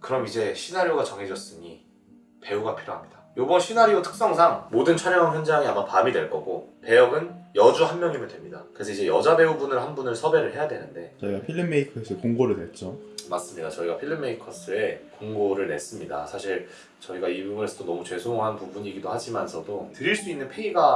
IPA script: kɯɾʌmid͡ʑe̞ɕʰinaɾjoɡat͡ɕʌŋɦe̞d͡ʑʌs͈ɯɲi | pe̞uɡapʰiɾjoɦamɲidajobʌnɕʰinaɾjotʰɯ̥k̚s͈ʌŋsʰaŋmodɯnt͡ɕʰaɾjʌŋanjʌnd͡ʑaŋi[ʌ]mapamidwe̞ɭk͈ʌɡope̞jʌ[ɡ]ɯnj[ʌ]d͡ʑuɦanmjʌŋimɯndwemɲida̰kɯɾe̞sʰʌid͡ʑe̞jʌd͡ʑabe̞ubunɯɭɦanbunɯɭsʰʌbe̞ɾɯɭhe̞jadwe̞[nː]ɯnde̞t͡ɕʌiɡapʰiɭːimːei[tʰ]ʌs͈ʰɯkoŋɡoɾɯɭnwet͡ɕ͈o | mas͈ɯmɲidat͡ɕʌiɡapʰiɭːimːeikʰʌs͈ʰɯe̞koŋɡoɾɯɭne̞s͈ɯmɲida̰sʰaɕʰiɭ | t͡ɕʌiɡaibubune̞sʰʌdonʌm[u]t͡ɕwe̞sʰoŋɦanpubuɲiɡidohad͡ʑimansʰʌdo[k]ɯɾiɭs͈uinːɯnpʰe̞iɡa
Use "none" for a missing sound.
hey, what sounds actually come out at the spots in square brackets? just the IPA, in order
a, ɡ, ʌ, n, kʰ, u, t

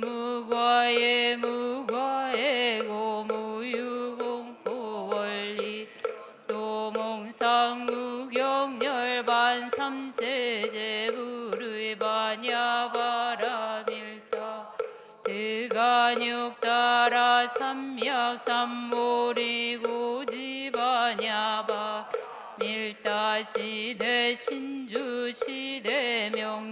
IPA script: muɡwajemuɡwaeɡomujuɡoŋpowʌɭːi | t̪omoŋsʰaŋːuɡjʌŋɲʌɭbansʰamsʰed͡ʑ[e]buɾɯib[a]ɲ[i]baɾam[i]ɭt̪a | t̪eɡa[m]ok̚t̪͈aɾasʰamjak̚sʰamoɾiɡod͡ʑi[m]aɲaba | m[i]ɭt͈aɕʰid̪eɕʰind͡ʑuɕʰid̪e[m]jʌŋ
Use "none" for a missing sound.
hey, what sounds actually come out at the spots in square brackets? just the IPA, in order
e, a, a, i, ɲ, b, i, m

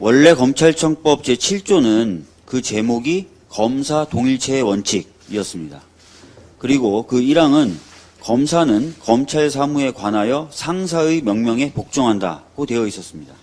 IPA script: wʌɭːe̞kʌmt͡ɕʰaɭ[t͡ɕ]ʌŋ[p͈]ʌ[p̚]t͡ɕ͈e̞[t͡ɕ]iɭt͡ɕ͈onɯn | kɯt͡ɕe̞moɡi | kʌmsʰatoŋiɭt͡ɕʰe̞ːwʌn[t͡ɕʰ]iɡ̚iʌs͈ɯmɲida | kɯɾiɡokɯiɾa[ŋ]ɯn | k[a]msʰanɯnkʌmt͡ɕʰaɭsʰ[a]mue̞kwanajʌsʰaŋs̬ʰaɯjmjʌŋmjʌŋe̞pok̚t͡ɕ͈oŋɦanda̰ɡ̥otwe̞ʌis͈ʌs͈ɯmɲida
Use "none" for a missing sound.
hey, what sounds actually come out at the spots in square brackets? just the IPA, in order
t͡ɕʰ, p͈, p̚, t͡ɕʰ, t͡ɕʰ, ŋ, ʌ, a

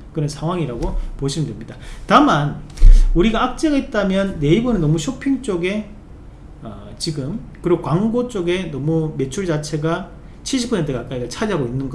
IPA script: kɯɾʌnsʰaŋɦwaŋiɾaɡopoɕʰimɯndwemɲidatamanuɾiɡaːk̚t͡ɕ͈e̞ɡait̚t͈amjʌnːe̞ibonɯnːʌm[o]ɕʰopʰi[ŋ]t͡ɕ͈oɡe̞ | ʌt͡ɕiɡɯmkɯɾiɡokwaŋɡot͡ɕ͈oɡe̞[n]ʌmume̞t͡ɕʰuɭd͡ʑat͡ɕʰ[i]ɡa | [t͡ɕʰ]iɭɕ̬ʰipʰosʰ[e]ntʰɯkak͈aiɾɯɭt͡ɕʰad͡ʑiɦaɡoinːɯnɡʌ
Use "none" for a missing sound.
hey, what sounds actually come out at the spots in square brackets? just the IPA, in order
u, ŋ, n, e, t͡ɕʰ, e

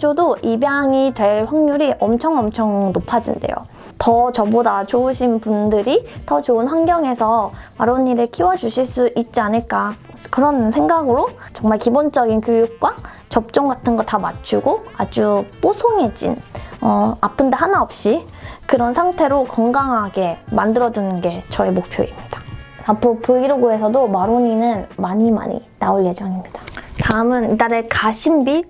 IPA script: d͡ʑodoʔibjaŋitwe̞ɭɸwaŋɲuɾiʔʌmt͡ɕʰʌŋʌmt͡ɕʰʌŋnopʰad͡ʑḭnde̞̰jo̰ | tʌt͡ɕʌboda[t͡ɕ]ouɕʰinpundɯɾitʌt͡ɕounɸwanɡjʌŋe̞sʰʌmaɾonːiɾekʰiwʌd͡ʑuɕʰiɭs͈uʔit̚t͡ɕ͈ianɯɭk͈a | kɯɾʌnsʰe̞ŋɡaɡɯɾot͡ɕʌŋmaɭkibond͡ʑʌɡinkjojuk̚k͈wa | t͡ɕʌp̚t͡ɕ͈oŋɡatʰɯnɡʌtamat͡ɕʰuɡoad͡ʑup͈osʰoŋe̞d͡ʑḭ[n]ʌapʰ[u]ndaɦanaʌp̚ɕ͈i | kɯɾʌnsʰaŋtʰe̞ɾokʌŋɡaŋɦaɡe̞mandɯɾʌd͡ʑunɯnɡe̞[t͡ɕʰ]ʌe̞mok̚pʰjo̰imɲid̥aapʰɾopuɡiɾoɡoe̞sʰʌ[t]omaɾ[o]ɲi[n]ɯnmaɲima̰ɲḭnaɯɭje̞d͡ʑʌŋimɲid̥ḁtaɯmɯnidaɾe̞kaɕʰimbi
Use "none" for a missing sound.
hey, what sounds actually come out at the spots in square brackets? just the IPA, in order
t͡ɕ, n, ɯ, t͡ɕ, d, o, n

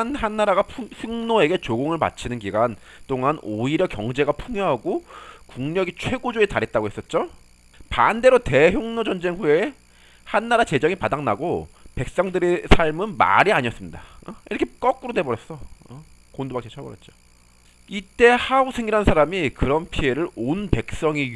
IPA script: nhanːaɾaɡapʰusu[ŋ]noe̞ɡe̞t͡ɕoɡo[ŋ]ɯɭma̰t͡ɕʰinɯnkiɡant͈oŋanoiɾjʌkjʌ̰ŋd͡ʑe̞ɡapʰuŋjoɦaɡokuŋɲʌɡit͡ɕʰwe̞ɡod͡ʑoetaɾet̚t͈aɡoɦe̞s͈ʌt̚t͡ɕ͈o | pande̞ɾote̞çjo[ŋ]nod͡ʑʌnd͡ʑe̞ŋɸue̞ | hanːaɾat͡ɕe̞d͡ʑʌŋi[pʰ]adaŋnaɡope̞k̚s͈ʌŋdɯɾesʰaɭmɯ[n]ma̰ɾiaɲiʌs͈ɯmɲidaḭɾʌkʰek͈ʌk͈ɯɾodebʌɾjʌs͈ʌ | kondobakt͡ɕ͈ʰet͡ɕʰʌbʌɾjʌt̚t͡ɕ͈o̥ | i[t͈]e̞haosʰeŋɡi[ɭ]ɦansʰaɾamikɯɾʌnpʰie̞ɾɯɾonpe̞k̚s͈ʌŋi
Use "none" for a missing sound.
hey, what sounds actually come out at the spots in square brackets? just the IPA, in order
ŋ, ŋ, ŋ, p, n, t͈, ɾ

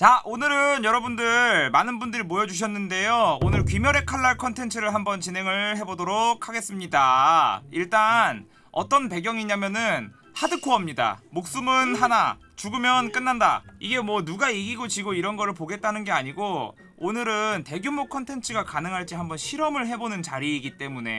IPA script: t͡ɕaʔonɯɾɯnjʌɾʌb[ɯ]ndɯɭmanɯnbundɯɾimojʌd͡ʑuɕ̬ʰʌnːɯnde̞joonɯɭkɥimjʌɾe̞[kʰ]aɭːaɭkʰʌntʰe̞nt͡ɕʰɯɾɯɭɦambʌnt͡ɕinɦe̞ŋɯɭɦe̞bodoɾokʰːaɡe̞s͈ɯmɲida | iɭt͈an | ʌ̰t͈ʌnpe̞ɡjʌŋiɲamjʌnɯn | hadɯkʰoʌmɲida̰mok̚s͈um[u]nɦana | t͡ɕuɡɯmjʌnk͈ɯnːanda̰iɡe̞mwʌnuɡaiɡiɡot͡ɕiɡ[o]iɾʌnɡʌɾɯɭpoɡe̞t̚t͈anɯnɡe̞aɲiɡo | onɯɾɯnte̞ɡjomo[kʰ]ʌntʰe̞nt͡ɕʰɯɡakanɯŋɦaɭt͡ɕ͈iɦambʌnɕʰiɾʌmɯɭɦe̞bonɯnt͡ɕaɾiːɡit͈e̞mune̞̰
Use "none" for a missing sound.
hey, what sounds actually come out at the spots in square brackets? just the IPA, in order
u, kʰ, ɯ, o, kʰ

